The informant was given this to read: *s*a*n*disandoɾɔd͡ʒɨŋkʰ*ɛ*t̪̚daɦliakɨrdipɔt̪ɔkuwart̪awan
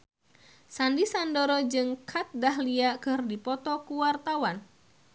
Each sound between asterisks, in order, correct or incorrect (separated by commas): correct, correct, incorrect